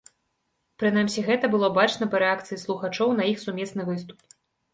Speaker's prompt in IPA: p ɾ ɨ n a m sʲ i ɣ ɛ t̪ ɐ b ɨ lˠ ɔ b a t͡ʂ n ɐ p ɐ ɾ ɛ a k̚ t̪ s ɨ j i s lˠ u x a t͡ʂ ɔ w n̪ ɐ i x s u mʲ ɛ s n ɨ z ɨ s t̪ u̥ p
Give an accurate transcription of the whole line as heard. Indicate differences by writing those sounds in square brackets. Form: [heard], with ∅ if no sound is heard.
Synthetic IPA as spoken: p ɾ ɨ n a m sʲ i ɣ ɛ t̪ ɐ b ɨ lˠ ɔ b a t͡ʂ n ɐ p ɐ ɾ ɛ a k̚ t̪ s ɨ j i s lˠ u x a t͡ʂ ɔ w n̪ ɐ i x s u mʲ ɛ s n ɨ [v] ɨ s t̪ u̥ p